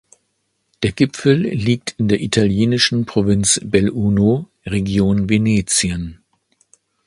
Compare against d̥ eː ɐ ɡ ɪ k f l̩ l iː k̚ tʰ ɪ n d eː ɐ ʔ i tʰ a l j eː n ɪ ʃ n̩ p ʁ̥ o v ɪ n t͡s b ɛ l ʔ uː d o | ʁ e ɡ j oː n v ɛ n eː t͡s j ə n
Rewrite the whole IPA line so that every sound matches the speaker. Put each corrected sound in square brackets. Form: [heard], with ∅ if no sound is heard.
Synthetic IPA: d̥ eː ɐ ɡ ɪ [p] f l̩ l iː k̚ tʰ ɪ n d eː ɐ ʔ i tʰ a l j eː n ɪ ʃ n̩ p ʁ̥ o v ɪ n t͡s b ɛ l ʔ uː [n] o | ʁ e ɡ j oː n v [e] n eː t͡s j ə n